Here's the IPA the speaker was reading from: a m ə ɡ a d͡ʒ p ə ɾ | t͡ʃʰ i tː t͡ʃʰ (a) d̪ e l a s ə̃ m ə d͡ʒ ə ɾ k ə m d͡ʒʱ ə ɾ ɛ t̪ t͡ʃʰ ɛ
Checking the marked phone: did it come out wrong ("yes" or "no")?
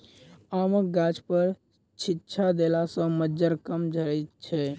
no